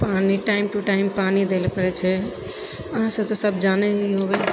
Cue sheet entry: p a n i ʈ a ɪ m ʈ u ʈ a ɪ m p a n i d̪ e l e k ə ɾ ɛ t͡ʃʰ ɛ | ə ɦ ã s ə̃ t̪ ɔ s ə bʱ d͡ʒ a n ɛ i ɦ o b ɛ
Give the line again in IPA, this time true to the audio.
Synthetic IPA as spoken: p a n i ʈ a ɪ m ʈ u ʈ a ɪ m p a n i d̪ e l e p ə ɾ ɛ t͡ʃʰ ɛ | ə ɦ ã s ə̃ t̪ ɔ s ə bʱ d͡ʒ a n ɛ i ɦ o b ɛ

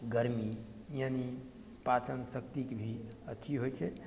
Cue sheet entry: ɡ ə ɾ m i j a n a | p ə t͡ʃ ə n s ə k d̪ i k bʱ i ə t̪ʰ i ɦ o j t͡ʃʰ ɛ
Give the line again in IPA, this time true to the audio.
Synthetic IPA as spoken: ɡ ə ɾ m i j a n i | p a t͡ʃ ə n s ə k t̪ i k bʱ i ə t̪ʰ i ɦ o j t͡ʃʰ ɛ

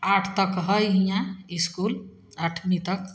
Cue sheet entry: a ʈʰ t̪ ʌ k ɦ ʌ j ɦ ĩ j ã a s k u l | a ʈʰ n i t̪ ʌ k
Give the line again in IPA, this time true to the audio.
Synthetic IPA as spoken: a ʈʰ t̪ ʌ k ɦ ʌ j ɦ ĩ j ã i s k u l | a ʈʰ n i t̪ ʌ k

